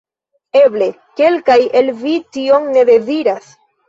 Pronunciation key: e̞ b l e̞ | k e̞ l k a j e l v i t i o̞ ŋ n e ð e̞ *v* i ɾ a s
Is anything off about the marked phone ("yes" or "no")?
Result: yes